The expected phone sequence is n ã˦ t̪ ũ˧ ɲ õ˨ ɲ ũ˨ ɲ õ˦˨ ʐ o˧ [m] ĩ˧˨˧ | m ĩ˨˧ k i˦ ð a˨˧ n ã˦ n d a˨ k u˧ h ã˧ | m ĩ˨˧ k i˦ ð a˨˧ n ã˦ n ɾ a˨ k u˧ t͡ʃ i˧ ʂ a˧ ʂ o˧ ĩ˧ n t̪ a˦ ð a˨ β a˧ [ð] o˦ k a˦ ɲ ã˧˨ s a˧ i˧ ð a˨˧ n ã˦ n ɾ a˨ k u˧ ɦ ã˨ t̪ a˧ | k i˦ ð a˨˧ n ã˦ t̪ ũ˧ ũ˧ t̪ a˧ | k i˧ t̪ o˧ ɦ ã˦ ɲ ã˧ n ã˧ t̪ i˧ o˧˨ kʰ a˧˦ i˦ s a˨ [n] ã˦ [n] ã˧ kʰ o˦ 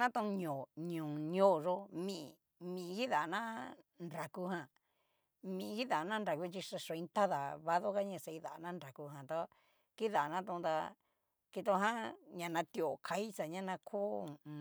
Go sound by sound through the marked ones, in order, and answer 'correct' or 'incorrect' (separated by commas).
correct, correct, incorrect, correct